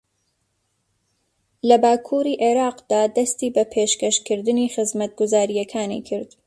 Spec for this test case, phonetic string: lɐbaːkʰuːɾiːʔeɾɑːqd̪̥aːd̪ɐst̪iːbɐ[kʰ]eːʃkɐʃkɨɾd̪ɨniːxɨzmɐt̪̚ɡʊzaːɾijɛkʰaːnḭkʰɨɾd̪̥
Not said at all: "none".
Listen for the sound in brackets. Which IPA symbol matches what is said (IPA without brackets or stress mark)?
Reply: pʰ